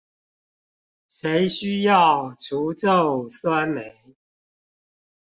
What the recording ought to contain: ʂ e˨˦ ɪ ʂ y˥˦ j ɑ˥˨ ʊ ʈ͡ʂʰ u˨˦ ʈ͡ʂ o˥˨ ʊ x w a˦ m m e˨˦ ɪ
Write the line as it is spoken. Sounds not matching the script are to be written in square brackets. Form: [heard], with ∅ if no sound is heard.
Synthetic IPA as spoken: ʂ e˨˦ ɪ [ɕ] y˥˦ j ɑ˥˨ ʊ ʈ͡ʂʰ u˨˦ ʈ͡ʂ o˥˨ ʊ [s] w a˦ [n] m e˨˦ ɪ